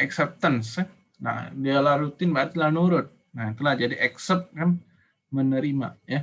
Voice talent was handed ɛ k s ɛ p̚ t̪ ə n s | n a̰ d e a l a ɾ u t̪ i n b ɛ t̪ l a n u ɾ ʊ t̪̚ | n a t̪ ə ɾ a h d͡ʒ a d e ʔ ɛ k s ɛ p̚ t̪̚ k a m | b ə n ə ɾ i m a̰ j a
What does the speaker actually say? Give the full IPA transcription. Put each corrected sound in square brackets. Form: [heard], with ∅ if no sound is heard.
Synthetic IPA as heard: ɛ k s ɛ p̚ t̪ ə n s | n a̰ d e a l a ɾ u t̪ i n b [a] t̪ l a n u ɾ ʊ t̪̚ | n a t̪ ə [l] a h d͡ʒ a d [i] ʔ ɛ k s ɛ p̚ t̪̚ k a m | [m] ə n ə ɾ i m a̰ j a

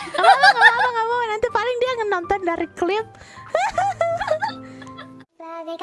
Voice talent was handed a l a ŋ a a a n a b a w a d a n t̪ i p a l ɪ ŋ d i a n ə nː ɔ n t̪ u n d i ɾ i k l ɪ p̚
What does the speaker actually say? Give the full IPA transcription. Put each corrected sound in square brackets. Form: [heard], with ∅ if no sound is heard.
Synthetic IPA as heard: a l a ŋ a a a [ŋ] a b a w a [n] a n t̪ i p a l ɪ ŋ d i a [ŋ] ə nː ɔ n t̪ [ɔ] n d [a] ɾ i k l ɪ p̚

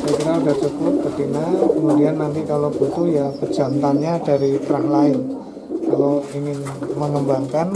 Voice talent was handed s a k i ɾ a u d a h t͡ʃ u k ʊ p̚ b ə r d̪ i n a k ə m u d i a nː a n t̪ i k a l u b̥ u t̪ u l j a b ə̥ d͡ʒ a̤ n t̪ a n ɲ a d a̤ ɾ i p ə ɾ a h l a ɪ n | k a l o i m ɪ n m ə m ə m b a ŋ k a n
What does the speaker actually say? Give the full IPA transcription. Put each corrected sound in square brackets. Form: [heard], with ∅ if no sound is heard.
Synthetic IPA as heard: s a k i ɾ a u d a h t͡ʃ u k ʊ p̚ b ə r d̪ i n a k ə m u d i a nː a n t̪ i k a l [o] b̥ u t̪ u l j a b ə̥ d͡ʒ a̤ n t̪ a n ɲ a d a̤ ɾ i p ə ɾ a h l a ɪ n | k a l o i [ŋ] ɪ n m ə [ŋ] ə m b a ŋ k a n

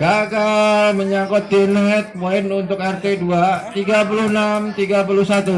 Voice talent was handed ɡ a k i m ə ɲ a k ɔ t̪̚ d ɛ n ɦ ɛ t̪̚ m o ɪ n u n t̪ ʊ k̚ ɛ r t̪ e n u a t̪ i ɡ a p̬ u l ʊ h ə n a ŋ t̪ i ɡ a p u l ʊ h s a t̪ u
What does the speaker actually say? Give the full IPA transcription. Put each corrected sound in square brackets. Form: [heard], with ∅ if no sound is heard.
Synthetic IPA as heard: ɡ a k [a] m ə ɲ a k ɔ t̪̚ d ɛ n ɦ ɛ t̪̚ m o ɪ n u n t̪ ʊ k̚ ɛ r t̪ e [d] u a t̪ i ɡ a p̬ u l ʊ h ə n a [m] t̪ i ɡ a p u l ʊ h s a t̪ u

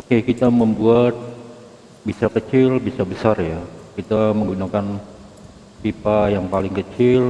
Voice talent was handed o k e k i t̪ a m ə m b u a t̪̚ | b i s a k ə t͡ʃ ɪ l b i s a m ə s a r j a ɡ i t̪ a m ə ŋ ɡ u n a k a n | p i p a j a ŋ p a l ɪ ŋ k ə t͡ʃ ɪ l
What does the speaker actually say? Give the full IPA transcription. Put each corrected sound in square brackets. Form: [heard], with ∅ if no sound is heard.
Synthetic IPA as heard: o k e k i t̪ a m ə m b u a t̪̚ | b i s a k ə t͡ʃ ɪ l b i s a [b] ə s a r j a [k] i t̪ a m ə ŋ ɡ u n a k a n | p i p a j a ŋ p a l ɪ ŋ k ə t͡ʃ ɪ l

